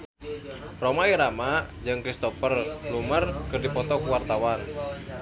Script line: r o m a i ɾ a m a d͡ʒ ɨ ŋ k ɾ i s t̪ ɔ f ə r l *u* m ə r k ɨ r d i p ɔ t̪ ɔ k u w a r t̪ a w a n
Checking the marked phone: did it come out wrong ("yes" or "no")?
no